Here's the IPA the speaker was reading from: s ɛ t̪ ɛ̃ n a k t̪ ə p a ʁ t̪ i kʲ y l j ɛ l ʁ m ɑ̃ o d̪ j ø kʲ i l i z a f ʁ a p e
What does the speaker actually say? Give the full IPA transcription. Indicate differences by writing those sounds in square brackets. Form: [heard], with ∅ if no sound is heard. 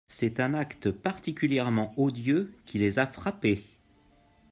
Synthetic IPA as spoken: s ɛ t̪ ɛ̃ n a k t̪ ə p a ʁ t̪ i kʲ y l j ɛ [∅] ʁ m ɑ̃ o d̪ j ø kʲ i l [e] z a f [χ] a p e

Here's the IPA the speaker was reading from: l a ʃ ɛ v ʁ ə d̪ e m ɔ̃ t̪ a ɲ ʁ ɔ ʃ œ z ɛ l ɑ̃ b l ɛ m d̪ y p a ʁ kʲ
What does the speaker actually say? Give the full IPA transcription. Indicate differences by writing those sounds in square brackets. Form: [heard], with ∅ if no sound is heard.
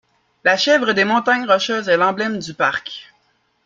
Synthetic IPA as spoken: l a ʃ ɛ v ʁ ə d̪ e m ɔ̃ t̪ a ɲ ʁ ɔ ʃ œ z ɛ l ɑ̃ b l ɛ m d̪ y p a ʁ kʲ

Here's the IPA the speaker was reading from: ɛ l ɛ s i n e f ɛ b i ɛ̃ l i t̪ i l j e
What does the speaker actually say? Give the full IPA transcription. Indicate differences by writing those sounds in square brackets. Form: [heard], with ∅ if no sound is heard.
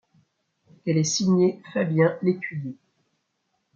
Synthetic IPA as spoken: ɛ l ɛ s i [ɲ] e f [a] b [j] ɛ̃ l [e] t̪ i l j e

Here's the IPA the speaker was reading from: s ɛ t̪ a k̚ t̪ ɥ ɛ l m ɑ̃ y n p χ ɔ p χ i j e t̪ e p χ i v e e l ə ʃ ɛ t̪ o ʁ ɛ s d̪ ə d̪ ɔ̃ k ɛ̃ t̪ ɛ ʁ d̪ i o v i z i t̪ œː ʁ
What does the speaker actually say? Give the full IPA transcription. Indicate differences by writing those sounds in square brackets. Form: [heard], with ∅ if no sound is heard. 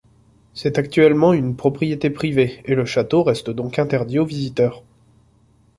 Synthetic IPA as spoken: s ɛ t̪ a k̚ t̪ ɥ ɛ l m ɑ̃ y n p χ ɔ p χ i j e t̪ e p χ i v e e l ə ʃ [a] t̪ o ʁ ɛ s [t̪] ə d̪ ɔ̃ k ɛ̃ t̪ ɛ ʁ d̪ i o v i z i t̪ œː ʁ

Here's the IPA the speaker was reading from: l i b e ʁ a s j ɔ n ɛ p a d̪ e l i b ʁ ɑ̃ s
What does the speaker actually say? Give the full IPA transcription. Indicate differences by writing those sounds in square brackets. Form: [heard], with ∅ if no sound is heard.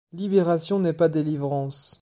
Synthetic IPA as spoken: l i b e ʁ a s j [ɔ̃] n ɛ p a d̪ e l i [v] ʁ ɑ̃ s

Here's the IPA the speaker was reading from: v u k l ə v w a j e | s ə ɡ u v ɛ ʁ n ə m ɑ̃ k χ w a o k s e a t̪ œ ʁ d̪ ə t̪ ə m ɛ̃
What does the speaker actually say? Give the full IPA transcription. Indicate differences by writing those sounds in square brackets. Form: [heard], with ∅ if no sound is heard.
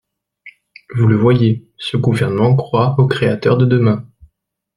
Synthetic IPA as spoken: v u [∅] l ə v w a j e | s ə ɡ u v ɛ ʁ n ə m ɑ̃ k χ w a o k [χ] e a t̪ œ ʁ d̪ ə [d̪] ə m ɛ̃

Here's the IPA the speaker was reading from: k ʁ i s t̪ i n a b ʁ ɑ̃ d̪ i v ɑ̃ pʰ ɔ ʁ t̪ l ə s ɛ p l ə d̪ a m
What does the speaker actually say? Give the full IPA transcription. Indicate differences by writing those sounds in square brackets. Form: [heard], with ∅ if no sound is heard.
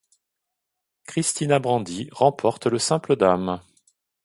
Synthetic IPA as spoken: k [χ] i s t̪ i n a b ʁ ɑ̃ d̪ i [ʁ] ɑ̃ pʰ ɔ ʁ t̪ l ə s [ɛ̃] p l ə d̪ a m

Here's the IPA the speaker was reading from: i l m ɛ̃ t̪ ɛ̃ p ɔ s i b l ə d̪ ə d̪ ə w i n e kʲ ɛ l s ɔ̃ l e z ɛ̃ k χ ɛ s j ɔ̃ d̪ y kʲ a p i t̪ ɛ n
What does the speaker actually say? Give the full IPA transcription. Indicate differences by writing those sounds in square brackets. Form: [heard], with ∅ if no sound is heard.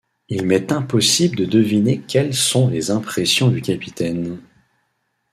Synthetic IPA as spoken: i l m [ɛ] t̪ ɛ̃ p ɔ s i b l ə d̪ ə d̪ ə [v] i n e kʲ ɛ l s ɔ̃ l e z ɛ̃ [p] χ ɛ s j ɔ̃ d̪ y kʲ a p i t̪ ɛ n

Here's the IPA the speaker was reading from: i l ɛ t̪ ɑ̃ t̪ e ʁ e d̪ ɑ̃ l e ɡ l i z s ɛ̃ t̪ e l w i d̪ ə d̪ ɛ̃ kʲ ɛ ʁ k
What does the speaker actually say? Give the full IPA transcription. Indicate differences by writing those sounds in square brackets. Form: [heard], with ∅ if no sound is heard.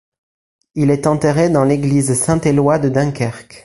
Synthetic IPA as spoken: i l ɛ t̪ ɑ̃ t̪ e ʁ e d̪ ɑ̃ l e ɡ l i z s ɛ̃ t̪ e l w [a] d̪ ə d̪ ɛ̃ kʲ ɛ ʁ k

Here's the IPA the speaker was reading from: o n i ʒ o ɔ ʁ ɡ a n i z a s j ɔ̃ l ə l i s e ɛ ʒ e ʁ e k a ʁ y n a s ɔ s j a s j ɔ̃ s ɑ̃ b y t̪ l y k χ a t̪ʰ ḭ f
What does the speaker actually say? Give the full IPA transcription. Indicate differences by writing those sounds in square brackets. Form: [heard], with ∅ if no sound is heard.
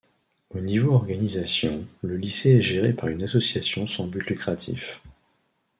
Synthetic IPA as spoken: o n i [v] o ɔ ʁ ɡ a n i z a s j ɔ̃ l ə l i s e ɛ ʒ e ʁ e [p] a ʁ y n a s ɔ s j a s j ɔ̃ s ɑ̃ b y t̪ l y k χ a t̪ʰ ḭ f

